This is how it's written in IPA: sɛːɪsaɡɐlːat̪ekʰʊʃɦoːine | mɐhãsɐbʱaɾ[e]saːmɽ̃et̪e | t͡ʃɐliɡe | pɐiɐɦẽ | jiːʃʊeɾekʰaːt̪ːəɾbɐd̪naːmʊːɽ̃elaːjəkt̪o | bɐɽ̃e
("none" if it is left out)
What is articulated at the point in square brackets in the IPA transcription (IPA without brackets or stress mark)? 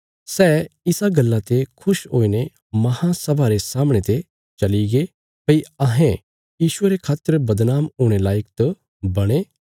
e